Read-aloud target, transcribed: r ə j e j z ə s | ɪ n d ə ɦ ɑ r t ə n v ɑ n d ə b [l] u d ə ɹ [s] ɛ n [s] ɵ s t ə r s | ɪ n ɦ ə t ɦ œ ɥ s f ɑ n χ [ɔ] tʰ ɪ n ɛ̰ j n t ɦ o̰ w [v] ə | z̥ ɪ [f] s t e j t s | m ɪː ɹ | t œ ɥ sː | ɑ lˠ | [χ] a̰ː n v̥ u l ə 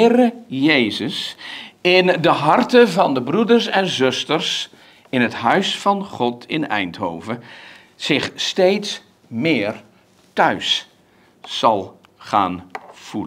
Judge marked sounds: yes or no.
no, yes, no, yes, yes, no, yes

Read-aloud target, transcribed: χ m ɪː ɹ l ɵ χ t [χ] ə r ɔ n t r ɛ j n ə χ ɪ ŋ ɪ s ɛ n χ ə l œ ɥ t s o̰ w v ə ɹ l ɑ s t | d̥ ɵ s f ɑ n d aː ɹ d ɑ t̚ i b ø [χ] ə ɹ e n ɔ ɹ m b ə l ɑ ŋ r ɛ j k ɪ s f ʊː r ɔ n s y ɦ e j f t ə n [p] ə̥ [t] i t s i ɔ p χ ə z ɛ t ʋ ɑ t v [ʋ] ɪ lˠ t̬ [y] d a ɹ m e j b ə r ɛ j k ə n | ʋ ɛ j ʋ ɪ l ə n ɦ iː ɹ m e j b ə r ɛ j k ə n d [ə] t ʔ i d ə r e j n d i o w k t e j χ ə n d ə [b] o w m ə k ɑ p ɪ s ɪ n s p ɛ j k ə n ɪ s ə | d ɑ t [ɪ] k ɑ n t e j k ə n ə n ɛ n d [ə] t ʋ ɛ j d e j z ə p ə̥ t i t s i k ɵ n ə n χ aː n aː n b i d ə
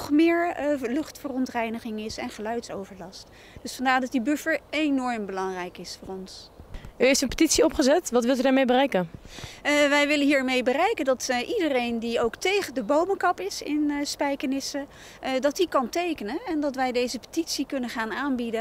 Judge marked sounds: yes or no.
no, no, yes, yes, yes, yes, no, yes, no, no

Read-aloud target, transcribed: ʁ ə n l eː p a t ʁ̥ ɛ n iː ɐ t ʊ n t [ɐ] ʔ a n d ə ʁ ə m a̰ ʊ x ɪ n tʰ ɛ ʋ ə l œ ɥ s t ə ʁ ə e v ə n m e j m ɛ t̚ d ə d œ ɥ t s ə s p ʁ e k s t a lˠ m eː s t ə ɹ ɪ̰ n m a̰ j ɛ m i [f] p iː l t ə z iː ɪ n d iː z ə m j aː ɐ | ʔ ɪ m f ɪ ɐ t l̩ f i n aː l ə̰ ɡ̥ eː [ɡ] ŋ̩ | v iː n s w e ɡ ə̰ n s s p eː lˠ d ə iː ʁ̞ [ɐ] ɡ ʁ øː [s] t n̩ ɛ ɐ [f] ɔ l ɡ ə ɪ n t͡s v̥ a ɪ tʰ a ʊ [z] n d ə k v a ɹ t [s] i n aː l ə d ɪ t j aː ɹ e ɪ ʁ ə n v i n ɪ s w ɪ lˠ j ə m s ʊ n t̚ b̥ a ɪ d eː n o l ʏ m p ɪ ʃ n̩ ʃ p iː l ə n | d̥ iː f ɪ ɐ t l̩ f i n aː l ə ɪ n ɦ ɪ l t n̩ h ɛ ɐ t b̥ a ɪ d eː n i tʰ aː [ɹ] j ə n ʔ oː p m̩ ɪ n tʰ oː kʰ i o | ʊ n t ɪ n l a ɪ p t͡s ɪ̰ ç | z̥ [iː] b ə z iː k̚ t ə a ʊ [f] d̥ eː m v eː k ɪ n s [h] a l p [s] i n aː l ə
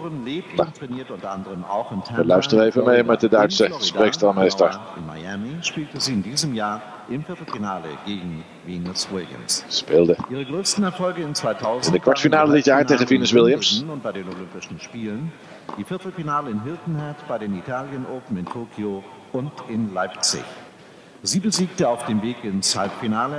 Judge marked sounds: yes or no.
yes, no, yes, no, yes, yes, yes, no, no, yes, yes, yes, no

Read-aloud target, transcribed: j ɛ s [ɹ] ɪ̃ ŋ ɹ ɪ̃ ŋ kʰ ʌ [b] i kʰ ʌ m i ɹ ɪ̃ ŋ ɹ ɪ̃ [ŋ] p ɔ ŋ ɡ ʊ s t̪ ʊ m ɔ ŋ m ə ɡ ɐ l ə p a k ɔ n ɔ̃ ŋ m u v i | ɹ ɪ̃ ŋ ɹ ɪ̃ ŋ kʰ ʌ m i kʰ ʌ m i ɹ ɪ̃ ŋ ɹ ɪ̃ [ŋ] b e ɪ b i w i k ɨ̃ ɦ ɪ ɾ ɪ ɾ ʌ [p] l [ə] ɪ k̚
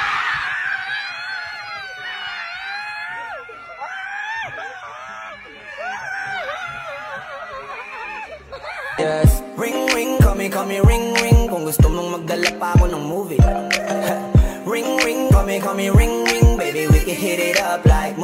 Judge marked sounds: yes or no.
yes, no, yes, yes, yes, no

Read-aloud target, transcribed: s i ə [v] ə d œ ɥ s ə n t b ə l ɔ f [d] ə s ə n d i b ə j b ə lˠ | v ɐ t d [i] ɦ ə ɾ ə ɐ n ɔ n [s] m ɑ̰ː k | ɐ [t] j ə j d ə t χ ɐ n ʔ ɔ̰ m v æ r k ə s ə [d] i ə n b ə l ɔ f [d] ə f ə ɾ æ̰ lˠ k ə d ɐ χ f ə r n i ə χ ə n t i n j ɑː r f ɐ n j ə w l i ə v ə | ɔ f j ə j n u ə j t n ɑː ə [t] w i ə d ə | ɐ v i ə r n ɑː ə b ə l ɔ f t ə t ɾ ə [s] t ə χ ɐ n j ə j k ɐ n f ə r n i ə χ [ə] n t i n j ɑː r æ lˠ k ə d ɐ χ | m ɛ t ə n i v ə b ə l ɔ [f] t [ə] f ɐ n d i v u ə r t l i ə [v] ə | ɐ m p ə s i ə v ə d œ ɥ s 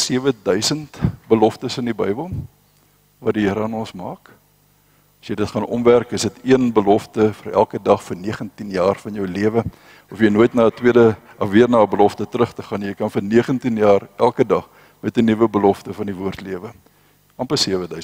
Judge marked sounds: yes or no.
yes, no, yes, yes, no, no, no, yes, no, yes, yes, yes, yes

